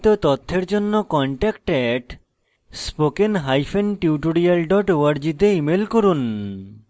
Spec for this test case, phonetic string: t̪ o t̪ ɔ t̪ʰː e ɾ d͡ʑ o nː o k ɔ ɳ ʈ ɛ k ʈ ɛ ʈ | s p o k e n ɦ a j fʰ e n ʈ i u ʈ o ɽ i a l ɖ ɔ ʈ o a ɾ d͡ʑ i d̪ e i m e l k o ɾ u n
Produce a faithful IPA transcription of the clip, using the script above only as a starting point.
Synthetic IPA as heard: t̪ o t̪ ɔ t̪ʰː e ɾ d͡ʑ o nː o k ɔ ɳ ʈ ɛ k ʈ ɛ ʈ | s p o k e n ɦ a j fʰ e n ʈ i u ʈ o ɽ i a l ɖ ɔ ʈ o a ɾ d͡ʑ i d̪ e i m e l k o ɾ u n